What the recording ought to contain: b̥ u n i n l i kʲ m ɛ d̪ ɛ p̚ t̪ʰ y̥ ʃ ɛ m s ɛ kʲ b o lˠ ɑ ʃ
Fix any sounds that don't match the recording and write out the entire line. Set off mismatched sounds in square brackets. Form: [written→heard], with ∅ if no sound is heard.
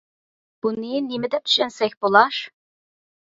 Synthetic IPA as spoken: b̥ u n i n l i [kʲ→∅] m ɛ d̪ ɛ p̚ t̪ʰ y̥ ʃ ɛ [m→n] s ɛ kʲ b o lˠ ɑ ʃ